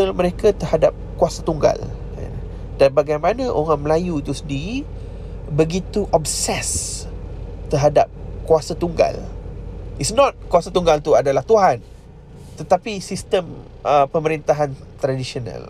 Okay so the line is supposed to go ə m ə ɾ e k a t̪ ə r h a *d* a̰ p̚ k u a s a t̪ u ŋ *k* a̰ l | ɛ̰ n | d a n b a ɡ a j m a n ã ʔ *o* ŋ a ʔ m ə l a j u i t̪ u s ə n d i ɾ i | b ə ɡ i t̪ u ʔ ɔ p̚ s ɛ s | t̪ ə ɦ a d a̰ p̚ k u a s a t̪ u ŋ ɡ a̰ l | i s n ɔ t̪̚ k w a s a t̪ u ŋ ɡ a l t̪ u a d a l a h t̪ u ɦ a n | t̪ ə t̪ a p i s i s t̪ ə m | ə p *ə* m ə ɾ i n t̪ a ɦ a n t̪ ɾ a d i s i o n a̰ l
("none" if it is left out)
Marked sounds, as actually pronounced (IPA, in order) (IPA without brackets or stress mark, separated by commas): d, ɡ, o, ə